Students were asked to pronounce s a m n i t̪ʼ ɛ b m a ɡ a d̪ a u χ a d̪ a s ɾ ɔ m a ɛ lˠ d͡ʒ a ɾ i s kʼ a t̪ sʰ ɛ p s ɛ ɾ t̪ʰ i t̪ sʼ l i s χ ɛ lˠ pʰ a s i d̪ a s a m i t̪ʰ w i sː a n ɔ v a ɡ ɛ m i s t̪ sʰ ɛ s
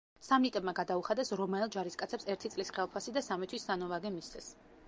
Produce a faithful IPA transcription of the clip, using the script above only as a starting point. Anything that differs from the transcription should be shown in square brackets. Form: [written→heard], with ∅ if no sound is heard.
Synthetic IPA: s a m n i t̪ʼ ɛ b m a ɡ a d̪ a u χ a d̪ [a→ɛ] s ɾ ɔ m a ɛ lˠ d͡ʒ a ɾ i s kʼ a t̪ sʰ ɛ p s ɛ ɾ t̪ʰ i t̪ sʼ l i s χ ɛ lˠ pʰ a s i d̪ a s a m i t̪ʰ w i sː a n ɔ v a ɡ ɛ m i s t̪ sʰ ɛ s

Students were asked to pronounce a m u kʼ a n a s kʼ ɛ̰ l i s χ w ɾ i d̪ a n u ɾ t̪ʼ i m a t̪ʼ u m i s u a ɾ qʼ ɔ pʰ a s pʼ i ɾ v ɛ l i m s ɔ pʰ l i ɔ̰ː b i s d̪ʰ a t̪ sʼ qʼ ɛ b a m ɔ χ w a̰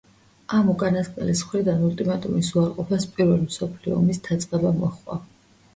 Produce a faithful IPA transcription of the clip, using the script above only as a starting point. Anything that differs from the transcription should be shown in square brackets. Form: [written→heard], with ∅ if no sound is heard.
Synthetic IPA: a m u kʼ a n a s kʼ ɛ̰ l i s χ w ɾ i d̪ a n u [ɾ→l] t̪ʼ i m a t̪ʼ u m i s u a ɾ qʼ ɔ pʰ a s pʼ i ɾ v ɛ l i m s ɔ pʰ l i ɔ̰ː [b→m] i s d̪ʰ a t̪ sʼ qʼ ɛ b a m ɔ χ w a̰

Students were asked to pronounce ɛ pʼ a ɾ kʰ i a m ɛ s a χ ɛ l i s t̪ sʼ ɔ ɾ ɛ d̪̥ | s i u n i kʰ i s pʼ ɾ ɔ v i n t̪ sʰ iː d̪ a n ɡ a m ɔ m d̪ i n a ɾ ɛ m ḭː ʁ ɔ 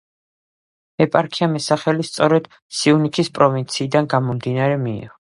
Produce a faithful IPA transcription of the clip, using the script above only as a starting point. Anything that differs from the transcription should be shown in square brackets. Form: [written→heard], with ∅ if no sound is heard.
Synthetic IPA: ɛ pʼ a ɾ kʰ i a m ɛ s a χ ɛ l i s t̪ sʼ ɔ ɾ ɛ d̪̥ | s i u n i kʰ i s pʼ ɾ ɔ v i n t̪ sʰ iː d̪ a n ɡ a m ɔ m d̪ i n a ɾ ɛ m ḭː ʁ ɔ

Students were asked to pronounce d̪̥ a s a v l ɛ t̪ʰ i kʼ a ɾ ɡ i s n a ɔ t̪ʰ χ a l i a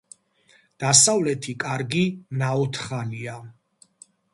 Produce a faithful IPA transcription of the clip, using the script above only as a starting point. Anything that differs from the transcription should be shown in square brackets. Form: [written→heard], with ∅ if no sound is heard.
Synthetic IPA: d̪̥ a s a v l ɛ t̪ʰ i kʼ a ɾ ɡ i [s→∅] n a ɔ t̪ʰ χ a l i a

